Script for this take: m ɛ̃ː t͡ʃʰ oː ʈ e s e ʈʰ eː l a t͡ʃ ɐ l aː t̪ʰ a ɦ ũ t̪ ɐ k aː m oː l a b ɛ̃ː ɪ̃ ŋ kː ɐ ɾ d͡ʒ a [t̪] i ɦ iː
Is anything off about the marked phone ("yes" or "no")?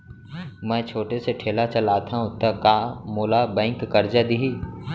yes